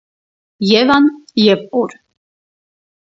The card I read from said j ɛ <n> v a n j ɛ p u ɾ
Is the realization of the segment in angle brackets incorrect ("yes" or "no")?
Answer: yes